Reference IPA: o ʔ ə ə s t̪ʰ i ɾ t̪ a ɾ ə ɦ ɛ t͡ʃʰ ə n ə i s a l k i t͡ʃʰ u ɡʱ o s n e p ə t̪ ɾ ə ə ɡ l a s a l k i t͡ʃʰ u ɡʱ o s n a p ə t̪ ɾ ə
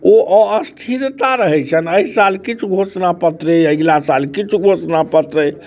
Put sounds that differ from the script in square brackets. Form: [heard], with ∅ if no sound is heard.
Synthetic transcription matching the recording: o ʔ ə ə s t̪ʰ i ɾ t̪ a ɾ ə ɦ ɛ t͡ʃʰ ə n ə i s a l k i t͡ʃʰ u ɡʱ o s n [a] p ə t̪ ɾ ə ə ɡ l a s a l k i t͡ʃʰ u ɡʱ o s n a p ə t̪ ɾ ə